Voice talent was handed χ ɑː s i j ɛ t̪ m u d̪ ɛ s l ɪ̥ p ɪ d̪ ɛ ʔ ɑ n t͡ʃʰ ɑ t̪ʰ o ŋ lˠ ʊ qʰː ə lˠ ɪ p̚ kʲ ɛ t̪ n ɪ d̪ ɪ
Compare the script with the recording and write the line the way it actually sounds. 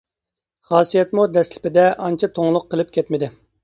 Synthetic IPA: χ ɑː s i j ɛ t̪ m u d̪ ɛ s l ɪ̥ p ɪ d̪ ɛ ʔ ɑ n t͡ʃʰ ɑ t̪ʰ o ŋ lˠ ʊ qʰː ə lˠ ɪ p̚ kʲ ɛ t̪ m ɪ d̪ ɪ